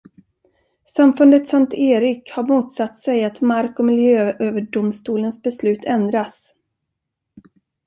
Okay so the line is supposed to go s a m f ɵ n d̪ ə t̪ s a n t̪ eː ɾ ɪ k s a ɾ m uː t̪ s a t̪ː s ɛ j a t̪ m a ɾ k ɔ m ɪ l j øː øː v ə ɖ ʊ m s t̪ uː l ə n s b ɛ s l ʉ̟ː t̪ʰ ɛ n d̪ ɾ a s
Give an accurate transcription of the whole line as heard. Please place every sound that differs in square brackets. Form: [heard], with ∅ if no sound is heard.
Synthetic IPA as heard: s a m f ɵ n d̪ ə t̪ s a n t̪ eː ɾ ɪ k [h] a ɾ m uː t̪ s a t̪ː s ɛ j a t̪ m a ɾ k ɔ m ɪ l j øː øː v ə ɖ ʊ m s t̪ uː l ə n s b ɛ s l ʉ̟ː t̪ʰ ɛ n d̪ ɾ a s